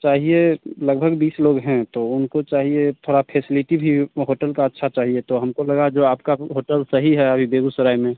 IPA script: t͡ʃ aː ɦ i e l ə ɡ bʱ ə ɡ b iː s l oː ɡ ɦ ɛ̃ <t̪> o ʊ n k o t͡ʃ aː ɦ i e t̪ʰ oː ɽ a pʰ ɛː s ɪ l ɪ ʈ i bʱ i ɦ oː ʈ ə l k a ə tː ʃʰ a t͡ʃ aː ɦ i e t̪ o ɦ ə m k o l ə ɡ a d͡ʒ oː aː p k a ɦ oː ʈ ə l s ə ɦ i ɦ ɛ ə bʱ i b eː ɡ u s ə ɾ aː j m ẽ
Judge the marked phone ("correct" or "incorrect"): correct